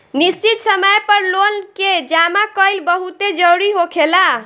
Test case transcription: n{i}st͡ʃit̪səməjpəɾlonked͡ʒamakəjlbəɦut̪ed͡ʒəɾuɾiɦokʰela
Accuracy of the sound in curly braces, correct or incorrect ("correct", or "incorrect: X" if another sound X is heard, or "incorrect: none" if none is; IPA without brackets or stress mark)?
correct